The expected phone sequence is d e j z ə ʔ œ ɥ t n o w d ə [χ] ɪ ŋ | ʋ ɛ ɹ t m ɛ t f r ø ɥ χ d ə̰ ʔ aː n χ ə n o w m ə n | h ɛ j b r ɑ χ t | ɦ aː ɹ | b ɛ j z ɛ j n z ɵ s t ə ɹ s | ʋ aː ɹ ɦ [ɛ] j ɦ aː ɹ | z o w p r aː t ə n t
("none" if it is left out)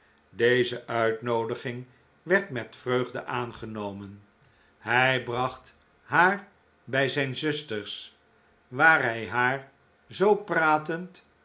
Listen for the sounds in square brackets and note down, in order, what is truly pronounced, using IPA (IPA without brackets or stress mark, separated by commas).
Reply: χ, ɛ